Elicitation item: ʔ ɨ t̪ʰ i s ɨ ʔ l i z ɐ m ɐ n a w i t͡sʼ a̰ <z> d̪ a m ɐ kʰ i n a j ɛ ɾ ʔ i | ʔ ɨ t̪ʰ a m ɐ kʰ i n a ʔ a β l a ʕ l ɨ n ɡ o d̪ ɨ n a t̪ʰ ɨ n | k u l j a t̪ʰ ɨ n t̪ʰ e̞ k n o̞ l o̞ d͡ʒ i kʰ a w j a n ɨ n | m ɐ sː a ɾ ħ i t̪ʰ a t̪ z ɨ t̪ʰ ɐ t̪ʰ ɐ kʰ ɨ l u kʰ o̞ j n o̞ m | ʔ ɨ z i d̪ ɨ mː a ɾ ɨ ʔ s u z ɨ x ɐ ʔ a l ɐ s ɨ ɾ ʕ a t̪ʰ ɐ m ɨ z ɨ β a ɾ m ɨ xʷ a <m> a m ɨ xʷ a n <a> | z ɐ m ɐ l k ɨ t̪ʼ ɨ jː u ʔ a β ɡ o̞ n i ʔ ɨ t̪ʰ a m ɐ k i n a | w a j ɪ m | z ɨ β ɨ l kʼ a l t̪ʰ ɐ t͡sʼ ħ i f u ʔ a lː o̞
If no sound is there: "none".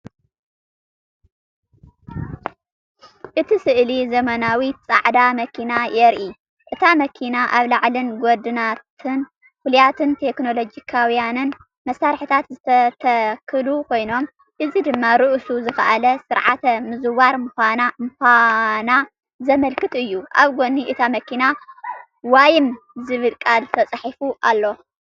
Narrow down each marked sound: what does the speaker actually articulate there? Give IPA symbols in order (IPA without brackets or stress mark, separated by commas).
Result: ʕ, n, a